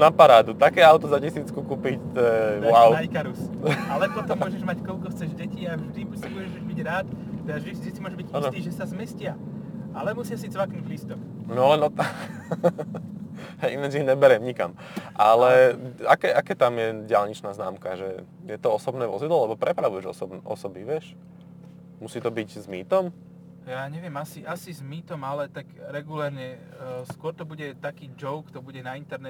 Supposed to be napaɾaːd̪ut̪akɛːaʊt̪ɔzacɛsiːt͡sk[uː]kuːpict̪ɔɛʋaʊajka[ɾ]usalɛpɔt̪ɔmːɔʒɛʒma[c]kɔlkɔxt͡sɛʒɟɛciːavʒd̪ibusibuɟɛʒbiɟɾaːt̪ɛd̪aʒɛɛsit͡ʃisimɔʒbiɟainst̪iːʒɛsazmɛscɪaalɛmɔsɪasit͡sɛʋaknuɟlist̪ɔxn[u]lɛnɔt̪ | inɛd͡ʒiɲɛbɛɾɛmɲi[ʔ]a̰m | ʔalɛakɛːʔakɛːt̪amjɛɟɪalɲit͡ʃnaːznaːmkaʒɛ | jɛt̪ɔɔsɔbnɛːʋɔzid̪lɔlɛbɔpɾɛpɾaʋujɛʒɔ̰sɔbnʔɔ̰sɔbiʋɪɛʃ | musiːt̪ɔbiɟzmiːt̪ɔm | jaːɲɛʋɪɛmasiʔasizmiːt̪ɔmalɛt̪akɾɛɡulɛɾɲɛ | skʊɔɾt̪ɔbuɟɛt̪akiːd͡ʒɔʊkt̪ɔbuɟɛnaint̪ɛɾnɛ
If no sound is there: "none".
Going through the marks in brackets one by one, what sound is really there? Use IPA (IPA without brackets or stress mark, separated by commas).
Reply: u, ɾ, c, ɔ, k